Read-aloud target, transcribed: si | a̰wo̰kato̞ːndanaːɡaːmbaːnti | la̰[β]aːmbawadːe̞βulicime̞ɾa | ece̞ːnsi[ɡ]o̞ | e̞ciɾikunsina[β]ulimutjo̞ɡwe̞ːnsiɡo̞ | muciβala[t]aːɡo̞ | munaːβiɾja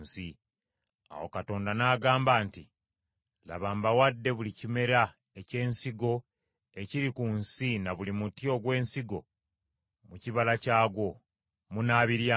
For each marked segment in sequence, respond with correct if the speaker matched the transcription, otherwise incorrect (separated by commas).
correct, correct, correct, incorrect